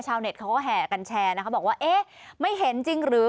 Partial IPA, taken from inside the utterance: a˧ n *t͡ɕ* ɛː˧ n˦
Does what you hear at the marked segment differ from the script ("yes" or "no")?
yes